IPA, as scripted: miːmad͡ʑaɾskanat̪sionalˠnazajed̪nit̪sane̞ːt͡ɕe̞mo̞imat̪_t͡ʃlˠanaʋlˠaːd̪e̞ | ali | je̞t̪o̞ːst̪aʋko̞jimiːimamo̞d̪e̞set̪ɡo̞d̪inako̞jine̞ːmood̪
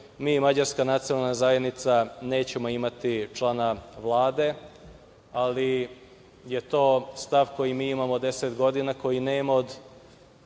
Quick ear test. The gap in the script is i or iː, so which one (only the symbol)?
i